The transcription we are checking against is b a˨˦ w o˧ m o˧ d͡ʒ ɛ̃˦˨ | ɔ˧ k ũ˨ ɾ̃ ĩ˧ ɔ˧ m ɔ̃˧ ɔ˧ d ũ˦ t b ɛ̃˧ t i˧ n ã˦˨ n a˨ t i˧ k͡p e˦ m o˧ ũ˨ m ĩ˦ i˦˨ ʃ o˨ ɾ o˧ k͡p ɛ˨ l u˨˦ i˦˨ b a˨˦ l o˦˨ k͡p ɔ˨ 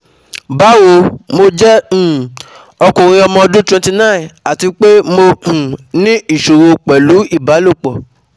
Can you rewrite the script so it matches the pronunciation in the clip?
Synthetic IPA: b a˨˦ w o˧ m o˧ d͡ʒ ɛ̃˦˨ | ɔ˧ k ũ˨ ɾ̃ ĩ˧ ɔ˧ m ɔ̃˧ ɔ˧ d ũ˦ t w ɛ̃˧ t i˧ n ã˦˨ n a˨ t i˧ k͡p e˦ m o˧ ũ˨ n ĩ˦ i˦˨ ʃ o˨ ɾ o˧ k͡p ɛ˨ l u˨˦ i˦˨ b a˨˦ l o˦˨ k͡p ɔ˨